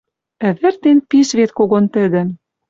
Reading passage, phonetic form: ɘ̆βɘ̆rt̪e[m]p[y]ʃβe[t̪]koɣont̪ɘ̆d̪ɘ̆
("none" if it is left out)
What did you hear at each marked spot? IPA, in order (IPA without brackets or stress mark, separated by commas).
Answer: n, i, t̪